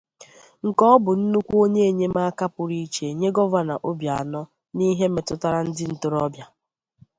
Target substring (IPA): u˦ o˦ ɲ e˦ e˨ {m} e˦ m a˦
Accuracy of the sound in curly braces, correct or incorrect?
incorrect